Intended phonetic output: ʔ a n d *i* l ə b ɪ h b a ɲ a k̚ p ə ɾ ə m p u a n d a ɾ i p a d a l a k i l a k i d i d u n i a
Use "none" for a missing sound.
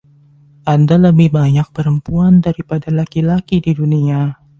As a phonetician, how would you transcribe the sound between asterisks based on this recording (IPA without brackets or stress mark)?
a